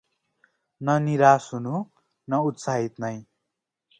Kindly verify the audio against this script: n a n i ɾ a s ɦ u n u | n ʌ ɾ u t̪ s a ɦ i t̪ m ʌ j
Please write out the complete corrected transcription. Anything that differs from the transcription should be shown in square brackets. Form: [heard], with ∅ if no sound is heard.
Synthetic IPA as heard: n [ʌ] n i ɾ a s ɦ u n u | n ʌ [∅] u t̪ s a ɦ i t̪ [n] ʌ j